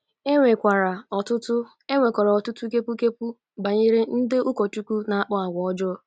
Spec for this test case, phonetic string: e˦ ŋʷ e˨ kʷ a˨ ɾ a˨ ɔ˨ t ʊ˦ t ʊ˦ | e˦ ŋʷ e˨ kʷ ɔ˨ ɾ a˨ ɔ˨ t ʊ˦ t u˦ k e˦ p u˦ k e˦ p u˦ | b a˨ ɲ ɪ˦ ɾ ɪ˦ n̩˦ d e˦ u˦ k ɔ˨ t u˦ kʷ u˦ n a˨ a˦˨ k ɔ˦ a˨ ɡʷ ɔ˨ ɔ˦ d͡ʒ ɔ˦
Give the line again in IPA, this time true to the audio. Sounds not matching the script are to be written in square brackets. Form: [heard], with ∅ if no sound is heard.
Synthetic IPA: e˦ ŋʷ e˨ kʷ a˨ ɾ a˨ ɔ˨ t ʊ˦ t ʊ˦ | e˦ ŋʷ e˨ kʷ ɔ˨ ɾ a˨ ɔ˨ t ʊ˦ t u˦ k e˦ p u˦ k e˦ p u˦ | b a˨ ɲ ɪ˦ ɾ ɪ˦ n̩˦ d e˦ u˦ k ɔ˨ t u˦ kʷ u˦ n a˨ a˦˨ [k͡p] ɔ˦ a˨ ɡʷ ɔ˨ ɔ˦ d͡ʒ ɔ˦